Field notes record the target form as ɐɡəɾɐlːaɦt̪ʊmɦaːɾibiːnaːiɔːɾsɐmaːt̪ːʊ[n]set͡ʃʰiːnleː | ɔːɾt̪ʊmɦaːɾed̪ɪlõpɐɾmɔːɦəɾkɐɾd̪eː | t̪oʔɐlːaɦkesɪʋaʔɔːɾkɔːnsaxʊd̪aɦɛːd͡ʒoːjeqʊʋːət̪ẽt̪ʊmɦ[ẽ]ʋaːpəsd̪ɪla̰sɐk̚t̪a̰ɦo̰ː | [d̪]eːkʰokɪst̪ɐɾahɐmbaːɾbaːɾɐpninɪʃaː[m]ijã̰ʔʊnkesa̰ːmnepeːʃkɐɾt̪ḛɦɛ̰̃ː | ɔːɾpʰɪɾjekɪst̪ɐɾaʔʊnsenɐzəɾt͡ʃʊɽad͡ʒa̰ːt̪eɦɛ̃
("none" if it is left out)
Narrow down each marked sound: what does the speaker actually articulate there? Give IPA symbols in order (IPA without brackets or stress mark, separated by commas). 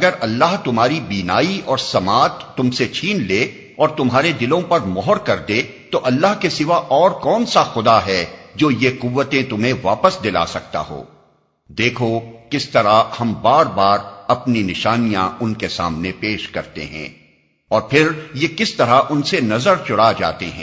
m, ẽ, d̪, n